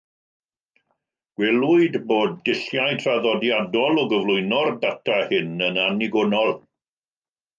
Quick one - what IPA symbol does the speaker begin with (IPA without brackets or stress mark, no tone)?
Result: ɡ̥